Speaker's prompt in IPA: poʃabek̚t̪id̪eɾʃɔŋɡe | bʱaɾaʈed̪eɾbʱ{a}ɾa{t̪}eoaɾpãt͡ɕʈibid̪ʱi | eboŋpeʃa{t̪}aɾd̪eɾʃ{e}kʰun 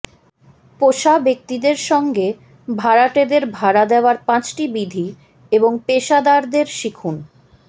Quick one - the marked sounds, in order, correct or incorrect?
correct, incorrect: d̪, incorrect: d̪, incorrect: i

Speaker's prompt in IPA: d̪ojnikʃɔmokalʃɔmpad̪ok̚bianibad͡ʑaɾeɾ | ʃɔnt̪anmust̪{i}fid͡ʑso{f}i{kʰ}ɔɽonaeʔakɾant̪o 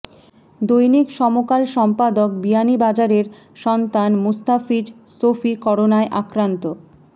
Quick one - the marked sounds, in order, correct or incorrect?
incorrect: a, correct, incorrect: k

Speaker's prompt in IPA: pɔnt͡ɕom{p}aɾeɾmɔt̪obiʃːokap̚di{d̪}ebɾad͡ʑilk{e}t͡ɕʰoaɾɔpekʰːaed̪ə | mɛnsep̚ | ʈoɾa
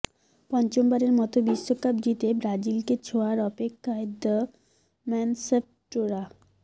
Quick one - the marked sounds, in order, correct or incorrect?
incorrect: b, incorrect: t̪, correct

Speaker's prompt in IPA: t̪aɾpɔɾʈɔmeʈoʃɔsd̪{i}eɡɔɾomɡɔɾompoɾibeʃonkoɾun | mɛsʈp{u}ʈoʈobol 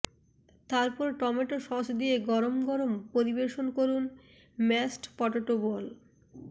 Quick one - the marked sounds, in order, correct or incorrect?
correct, incorrect: ɔ

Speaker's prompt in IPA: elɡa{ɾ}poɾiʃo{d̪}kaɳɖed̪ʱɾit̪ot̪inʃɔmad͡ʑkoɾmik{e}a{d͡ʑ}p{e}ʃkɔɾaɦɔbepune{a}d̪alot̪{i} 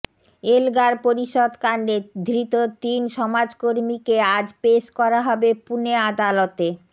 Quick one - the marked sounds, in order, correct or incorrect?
correct, correct, correct, correct, correct, correct, incorrect: e

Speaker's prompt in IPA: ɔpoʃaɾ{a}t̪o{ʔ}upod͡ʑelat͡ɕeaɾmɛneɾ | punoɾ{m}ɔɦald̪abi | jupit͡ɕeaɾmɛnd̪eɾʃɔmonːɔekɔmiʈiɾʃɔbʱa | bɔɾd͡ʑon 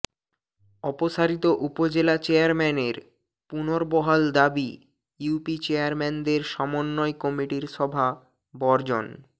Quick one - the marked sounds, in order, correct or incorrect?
incorrect: i, correct, incorrect: b

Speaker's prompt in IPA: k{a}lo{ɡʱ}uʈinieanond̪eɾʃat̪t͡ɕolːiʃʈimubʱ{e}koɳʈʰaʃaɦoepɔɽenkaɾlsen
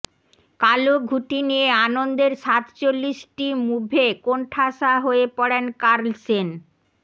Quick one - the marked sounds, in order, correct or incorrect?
correct, correct, correct

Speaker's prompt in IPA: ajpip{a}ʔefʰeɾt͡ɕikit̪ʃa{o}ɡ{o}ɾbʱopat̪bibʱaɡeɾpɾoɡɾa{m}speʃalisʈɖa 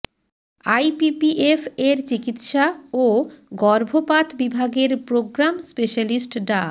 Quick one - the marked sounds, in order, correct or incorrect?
incorrect: i, correct, incorrect: ɔ, correct

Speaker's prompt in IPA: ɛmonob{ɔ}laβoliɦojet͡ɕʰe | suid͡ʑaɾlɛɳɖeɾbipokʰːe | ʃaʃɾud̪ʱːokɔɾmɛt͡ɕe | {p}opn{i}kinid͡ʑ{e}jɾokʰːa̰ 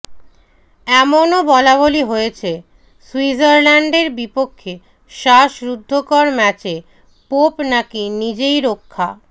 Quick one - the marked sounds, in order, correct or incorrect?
correct, correct, incorrect: a, correct

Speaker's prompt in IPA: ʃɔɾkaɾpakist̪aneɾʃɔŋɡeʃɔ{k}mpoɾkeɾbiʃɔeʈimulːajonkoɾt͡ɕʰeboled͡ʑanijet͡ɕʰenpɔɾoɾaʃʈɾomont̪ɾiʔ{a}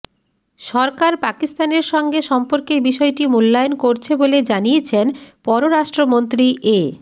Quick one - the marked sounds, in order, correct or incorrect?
incorrect: none, incorrect: e

